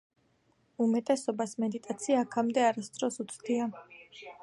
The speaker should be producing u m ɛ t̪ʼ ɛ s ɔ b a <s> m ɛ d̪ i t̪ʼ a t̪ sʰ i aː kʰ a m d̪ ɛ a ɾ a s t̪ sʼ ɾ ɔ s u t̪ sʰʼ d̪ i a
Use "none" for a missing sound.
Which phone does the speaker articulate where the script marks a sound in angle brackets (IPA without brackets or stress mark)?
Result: s